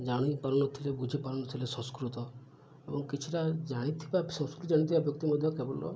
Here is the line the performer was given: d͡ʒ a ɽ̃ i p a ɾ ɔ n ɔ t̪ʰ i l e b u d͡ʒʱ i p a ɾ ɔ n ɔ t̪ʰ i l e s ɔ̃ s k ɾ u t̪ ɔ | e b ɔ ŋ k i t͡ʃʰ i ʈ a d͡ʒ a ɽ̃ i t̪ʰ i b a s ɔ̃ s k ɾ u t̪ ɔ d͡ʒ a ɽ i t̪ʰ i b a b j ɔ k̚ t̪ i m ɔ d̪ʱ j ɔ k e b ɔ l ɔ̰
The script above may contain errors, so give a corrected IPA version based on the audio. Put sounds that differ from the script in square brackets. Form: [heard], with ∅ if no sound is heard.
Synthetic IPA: d͡ʒ a ɽ̃ i p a ɾ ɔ n ɔ t̪ʰ i l e b u d͡ʒʱ i p a ɾ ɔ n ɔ t̪ʰ i l e s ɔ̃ s k ɾ u t̪ ɔ | e b ɔ ŋ k i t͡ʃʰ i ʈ a d͡ʒ a ɽ̃ i t̪ʰ i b a s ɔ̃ s k ɾ u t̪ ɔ d͡ʒ a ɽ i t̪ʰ i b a b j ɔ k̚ t̪ i m ɔ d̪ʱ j ɔ k e b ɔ l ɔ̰